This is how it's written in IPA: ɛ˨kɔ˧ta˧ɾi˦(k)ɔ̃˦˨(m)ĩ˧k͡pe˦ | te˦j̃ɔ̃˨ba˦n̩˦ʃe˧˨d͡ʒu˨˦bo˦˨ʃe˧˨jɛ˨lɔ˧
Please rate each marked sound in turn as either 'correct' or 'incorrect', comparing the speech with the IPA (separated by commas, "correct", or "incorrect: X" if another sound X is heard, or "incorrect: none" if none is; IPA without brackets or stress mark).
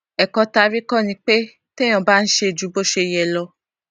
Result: correct, incorrect: n